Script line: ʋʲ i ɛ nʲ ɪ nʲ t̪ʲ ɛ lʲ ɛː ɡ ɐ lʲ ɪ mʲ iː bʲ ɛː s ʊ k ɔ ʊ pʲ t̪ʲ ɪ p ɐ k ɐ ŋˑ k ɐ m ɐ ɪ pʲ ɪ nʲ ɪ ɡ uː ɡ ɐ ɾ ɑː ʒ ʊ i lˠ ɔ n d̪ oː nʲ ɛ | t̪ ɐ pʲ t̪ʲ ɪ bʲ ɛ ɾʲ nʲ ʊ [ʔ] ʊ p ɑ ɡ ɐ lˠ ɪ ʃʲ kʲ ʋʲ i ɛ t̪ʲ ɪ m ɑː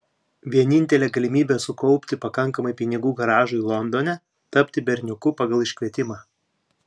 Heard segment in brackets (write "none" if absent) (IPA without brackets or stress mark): k